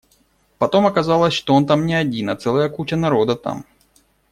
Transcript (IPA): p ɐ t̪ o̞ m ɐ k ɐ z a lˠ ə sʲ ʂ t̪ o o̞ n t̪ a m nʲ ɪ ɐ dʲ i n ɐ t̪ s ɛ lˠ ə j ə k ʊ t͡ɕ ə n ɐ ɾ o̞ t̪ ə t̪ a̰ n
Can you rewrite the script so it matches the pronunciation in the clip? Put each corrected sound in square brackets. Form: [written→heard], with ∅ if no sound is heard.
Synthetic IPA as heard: p ɐ t̪ o̞ m ɐ k ɐ z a lˠ ə sʲ ʂ t̪ o o̞ n t̪ a m nʲ ɪ ɐ dʲ i n ɐ t̪ s ɛ lˠ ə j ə k [ʊ→u] t͡ɕ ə n ɐ ɾ o̞ [t̪→d̪] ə t̪ a̰ [n→m]